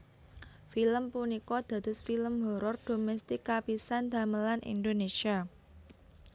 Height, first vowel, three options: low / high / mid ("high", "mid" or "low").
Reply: high